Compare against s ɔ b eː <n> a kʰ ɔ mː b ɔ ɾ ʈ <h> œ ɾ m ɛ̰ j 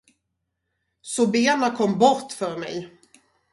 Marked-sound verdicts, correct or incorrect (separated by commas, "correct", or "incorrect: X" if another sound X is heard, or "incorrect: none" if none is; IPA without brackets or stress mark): correct, incorrect: f